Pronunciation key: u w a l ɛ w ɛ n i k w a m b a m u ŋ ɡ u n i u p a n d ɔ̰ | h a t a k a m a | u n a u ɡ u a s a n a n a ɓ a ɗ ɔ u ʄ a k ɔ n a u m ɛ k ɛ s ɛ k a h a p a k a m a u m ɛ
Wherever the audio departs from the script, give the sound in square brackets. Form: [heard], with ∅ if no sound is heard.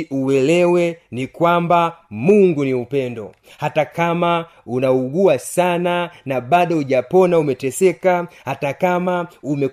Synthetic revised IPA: u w [ɛ] l ɛ w ɛ n i k w a m b a m u ŋ ɡ u n i u p [ɛ] n d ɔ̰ | h a t a k a m a | u n a u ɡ u a s a n a n a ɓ a ɗ ɔ u ʄ a [p] ɔ n a u m ɛ [t] ɛ s ɛ k a h a [t] a k a m a u m ɛ